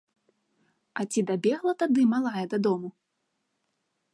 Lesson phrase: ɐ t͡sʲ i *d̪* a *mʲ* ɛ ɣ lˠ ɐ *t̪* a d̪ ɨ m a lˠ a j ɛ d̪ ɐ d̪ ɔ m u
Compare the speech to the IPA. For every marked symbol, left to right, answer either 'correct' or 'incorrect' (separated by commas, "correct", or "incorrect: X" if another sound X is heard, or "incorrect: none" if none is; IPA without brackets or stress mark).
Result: correct, incorrect: bʲ, correct